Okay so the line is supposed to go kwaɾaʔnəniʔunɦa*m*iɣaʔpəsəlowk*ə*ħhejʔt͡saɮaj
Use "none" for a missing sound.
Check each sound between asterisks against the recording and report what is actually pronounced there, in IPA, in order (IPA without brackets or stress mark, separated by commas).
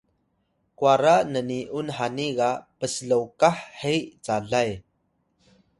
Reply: n, a